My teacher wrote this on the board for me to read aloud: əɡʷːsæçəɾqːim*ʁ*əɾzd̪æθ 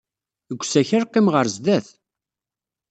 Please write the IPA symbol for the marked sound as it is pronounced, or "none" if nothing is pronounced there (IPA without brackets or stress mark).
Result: ʁ